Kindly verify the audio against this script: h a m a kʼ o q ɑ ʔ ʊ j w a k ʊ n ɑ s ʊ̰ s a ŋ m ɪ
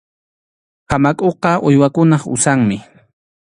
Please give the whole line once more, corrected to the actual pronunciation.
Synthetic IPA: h a m a kʼ o q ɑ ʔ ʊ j w a k ʊ n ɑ χ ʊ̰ s a ŋ m ɪ